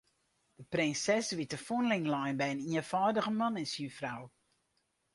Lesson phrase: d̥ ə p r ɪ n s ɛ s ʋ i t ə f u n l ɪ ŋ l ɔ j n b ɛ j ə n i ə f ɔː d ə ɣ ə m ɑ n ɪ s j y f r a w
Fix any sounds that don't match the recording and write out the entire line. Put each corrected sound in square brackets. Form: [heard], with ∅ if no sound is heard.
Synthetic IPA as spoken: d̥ ə p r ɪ n s ɛ s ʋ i t ə f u n l ɪ ŋ l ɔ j n b ɛ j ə n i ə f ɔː d ə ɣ ə m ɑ n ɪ s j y f r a w

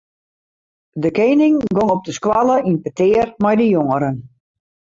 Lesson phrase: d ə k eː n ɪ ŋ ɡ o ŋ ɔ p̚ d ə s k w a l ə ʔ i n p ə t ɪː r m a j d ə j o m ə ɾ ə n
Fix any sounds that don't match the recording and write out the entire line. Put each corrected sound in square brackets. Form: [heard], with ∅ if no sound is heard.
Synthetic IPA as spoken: d ə k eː n ɪ ŋ ɡ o ŋ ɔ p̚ d ə s k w a l ə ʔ i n p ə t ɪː r m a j d ə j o [ŋ] ə ɾ ə n

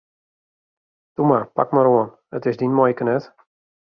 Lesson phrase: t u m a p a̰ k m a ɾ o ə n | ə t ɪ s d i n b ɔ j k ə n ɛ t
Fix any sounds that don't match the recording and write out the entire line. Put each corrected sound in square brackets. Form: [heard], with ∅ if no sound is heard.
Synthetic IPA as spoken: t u m a p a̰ k m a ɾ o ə n | ə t ɪ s d i n [m] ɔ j k ə n ɛ t

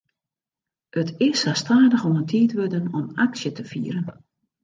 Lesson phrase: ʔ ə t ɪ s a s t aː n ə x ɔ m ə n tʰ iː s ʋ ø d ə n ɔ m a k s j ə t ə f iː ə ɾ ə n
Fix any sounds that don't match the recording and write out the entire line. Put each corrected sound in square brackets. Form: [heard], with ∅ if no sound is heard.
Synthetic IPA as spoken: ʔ ə t ɪ s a s t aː [d] ə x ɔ m ə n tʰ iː [t] ʋ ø d ə n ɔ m a k s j ə t ə f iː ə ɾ ə n

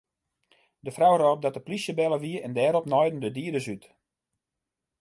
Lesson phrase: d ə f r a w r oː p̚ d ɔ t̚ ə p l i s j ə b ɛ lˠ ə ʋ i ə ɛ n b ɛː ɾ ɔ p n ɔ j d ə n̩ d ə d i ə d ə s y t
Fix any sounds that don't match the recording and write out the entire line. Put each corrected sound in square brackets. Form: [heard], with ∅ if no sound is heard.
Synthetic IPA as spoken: d ə f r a w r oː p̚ d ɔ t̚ ə p l i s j ə b ɛ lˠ ə ʋ i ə ɛ n [d] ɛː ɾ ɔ p n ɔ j d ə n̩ d ə d i ə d ə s y t

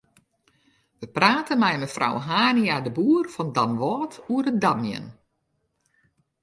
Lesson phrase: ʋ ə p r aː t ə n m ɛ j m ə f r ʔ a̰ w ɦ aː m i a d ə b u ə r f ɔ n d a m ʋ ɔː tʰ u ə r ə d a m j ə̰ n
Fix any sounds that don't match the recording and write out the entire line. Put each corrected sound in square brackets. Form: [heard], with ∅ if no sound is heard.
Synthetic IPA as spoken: ʋ ə p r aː t ə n m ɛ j m ə f r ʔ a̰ w ɦ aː [n] i a d ə b u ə r f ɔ n d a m ʋ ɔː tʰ u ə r ə d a m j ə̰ n

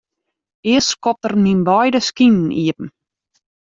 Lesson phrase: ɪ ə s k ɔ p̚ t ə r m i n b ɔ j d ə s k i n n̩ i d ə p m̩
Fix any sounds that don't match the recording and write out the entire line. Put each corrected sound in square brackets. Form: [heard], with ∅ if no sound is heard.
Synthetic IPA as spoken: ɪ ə s k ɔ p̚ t ə r m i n b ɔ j d ə s k i n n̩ i [∅] ə p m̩

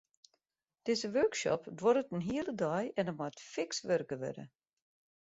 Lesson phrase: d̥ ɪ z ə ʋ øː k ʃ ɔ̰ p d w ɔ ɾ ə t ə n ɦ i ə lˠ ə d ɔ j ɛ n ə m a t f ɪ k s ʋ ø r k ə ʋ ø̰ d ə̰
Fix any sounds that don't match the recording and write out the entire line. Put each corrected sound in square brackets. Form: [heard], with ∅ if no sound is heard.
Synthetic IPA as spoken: d̥ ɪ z ə ʋ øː k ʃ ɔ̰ p d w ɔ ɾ ə t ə n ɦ i ə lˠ ə d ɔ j ɛ n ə m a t f ɪ k s ʋ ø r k ə ʋ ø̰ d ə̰

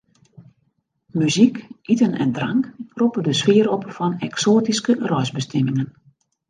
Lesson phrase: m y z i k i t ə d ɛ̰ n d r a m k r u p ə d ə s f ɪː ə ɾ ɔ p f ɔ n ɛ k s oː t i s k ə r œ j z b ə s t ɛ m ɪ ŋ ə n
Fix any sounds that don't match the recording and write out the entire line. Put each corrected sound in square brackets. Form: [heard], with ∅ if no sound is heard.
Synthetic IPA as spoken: m y z i k i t ə [n] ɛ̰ n d r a [ŋ] k r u p ə d ə s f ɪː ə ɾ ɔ p f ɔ n ɛ k s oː t i s k ə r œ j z b ə s t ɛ m ɪ ŋ ə n

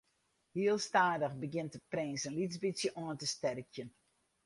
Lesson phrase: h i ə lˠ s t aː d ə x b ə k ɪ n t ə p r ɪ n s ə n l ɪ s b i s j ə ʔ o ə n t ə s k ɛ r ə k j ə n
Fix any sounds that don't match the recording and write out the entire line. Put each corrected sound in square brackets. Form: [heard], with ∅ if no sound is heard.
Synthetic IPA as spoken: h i ə lˠ s t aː d ə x b ə [ɡ] ɪ n t ə p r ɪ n s ə n l [i] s b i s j ə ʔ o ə n t ə s [t] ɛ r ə k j ə n

